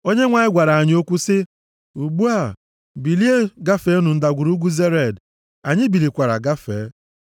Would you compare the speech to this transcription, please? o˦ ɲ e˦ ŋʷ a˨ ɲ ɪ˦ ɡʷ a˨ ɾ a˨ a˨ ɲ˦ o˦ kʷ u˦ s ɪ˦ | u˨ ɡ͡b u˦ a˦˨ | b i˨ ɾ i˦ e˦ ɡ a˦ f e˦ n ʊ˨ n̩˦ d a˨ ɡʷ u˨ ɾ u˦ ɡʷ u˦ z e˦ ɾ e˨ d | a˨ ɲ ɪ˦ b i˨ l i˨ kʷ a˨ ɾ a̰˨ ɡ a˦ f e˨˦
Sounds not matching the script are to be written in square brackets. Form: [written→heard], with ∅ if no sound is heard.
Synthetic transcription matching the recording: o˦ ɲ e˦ ŋʷ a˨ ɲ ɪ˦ ɡʷ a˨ ɾ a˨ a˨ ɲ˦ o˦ kʷ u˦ s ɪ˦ | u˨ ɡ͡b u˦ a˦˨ | b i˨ [ɾ→l] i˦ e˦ ɡ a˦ f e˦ n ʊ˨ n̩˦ d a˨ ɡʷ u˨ ɾ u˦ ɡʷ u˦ z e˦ ɾ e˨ d | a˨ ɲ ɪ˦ b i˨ l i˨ kʷ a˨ ɾ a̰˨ ɡ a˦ f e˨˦